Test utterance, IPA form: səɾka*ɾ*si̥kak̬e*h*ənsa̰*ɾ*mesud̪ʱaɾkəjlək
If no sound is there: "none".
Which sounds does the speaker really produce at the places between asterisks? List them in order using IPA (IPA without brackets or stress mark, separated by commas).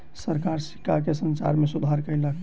ɾ, s, ɾ